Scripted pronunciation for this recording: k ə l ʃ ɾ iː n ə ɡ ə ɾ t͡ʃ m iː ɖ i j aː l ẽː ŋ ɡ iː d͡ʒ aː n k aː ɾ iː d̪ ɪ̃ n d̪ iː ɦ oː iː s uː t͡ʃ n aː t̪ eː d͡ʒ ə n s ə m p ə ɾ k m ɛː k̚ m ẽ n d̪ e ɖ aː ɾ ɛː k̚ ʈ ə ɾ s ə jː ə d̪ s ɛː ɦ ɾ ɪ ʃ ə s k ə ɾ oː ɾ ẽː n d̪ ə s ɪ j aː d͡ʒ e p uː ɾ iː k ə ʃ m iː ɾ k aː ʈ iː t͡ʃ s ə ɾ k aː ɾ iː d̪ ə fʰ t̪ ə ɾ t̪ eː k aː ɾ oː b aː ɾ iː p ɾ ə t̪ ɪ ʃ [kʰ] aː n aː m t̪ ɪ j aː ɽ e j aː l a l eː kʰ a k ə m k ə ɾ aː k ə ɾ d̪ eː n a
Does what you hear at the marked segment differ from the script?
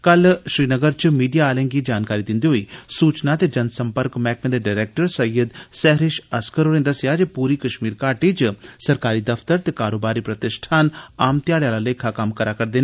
yes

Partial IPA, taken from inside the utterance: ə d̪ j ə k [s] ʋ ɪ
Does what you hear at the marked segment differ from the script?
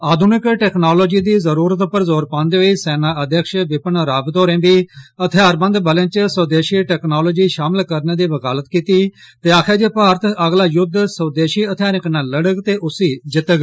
yes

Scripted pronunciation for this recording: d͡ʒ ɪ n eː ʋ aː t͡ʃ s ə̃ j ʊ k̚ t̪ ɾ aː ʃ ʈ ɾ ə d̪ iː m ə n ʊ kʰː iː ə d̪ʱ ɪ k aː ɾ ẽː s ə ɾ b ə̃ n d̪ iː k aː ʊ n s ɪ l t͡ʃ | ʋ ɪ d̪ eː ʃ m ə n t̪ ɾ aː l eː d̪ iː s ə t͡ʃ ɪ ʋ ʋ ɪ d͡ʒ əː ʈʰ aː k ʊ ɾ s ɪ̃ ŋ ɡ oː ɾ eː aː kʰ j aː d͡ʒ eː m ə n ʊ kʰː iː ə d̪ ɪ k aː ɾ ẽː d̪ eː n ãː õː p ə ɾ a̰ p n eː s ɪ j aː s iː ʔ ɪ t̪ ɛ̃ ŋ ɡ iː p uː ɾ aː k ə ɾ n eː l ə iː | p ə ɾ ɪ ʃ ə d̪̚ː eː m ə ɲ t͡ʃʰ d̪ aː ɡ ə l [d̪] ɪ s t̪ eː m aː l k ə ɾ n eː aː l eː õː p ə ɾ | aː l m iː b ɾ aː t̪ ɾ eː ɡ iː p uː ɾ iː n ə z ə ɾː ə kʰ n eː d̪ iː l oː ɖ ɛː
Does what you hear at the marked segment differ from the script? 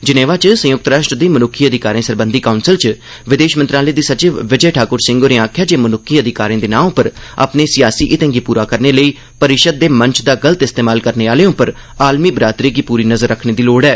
yes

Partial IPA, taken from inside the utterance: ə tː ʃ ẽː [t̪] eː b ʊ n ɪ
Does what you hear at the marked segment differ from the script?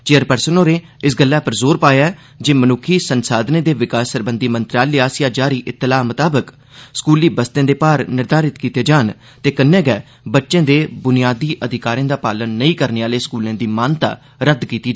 yes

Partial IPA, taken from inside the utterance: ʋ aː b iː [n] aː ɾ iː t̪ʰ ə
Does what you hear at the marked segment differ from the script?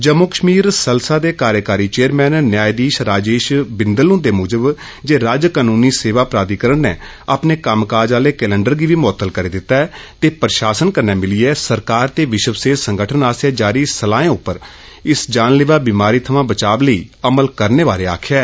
yes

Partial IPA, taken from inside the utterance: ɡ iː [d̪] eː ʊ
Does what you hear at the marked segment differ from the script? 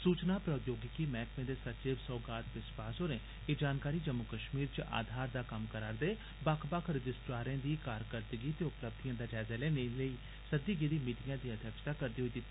yes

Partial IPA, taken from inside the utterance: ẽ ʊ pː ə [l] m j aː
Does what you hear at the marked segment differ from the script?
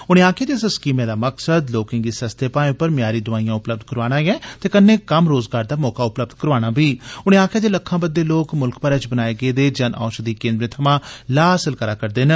yes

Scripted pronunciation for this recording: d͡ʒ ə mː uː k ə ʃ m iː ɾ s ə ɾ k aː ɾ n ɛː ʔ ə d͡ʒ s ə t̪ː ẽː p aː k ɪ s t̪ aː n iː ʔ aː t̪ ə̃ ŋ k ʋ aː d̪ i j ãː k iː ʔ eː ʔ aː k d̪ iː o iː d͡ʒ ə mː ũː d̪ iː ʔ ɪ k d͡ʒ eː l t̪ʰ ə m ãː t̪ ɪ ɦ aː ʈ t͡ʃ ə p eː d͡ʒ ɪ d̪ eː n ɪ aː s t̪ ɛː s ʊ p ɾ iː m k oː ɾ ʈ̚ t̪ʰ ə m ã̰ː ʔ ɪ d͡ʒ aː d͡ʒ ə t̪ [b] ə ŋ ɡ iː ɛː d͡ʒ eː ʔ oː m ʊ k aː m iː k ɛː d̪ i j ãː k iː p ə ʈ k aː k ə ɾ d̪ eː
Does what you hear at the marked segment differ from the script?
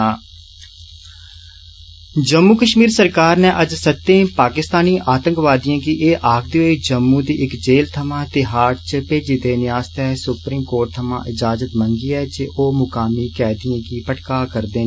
yes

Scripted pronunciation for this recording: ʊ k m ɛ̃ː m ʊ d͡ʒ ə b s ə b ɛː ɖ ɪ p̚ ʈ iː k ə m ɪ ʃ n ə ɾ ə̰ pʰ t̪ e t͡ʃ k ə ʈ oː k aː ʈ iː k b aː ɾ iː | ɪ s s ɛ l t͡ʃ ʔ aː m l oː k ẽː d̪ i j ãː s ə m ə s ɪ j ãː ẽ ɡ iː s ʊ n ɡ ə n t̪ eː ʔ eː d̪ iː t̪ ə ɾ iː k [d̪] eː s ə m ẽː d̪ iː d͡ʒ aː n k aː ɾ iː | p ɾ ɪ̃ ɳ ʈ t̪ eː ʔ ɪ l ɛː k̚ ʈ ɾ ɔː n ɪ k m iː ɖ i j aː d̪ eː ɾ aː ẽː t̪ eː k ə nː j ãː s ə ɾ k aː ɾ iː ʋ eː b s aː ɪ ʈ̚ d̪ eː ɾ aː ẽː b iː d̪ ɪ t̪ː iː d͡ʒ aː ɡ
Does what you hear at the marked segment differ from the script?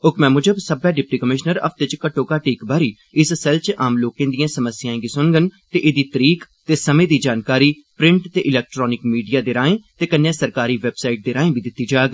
yes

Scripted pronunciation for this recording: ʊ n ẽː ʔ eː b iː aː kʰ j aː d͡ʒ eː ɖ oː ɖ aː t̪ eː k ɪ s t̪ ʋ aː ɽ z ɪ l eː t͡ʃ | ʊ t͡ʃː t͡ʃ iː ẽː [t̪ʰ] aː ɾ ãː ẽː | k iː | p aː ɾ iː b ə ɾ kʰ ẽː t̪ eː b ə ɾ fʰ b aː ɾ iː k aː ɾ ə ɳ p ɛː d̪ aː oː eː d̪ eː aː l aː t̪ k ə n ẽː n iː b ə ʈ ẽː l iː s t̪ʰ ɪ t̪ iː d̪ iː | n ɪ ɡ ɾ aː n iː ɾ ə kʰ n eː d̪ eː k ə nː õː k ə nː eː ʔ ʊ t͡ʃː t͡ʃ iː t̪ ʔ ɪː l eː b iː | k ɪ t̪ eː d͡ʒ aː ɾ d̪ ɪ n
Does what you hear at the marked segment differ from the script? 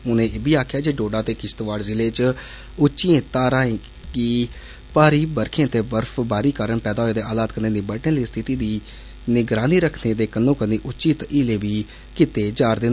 yes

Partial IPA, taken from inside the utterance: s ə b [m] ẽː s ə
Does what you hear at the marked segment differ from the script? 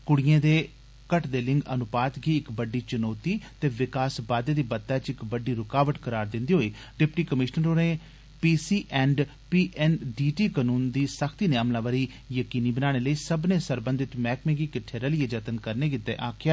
yes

